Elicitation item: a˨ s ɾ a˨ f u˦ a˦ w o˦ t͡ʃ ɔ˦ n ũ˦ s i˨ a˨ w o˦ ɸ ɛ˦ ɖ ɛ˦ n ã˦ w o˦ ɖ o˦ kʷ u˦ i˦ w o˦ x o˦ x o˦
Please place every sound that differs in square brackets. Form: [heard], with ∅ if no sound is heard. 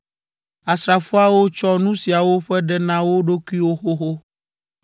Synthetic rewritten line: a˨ s ɾ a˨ f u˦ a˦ w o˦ t͡ʃ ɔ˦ n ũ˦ s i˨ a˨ w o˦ ɸ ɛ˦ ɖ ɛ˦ n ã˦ w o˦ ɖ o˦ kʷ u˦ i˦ w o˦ x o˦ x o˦